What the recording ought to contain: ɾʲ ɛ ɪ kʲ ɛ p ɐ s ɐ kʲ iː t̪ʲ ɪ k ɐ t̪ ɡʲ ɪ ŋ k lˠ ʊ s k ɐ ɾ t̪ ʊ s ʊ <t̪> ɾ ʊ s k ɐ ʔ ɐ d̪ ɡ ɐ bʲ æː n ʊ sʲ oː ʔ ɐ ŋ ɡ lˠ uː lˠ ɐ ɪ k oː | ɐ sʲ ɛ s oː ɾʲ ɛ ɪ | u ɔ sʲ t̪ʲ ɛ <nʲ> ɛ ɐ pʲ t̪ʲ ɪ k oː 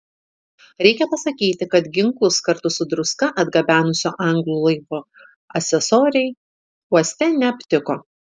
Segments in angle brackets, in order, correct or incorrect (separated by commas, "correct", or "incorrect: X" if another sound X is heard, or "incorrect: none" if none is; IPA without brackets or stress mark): incorrect: d̪, correct